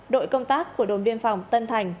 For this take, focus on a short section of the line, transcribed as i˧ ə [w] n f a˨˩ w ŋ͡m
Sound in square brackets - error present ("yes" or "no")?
yes